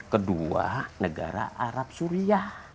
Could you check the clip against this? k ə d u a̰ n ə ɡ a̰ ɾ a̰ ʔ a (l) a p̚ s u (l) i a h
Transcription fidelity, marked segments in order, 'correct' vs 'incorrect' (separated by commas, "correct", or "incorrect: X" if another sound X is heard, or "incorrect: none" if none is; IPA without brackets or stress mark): incorrect: ɾ, incorrect: ɾ